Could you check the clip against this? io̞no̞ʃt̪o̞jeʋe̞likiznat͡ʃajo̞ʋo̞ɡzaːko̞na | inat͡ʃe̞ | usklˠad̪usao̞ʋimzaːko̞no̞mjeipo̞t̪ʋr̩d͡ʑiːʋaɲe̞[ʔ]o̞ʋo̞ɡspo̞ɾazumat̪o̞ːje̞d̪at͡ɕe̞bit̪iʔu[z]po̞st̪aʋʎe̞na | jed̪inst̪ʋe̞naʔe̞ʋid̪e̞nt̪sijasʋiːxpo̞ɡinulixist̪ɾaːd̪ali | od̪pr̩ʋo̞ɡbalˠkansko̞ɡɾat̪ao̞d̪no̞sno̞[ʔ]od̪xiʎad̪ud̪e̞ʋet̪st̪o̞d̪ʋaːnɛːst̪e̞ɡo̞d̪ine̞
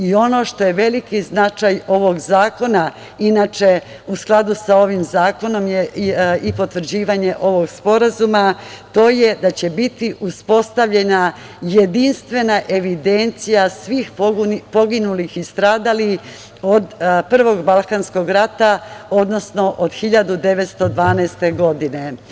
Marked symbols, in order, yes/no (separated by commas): yes, no, yes